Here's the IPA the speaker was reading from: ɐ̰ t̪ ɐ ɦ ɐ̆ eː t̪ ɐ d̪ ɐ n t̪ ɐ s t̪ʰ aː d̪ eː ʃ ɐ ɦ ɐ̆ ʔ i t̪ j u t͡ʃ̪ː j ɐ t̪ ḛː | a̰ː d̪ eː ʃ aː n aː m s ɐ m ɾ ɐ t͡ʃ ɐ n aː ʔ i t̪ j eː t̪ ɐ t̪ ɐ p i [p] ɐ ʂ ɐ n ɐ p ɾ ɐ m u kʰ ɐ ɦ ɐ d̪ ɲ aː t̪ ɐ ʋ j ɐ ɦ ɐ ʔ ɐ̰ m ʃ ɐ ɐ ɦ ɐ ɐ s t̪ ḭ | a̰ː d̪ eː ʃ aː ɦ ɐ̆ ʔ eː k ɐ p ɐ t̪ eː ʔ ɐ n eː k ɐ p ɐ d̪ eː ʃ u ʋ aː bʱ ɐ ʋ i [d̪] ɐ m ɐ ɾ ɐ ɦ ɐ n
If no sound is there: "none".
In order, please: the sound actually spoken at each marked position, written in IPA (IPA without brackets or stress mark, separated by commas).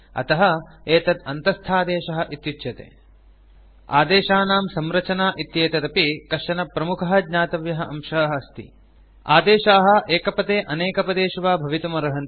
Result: k, t̪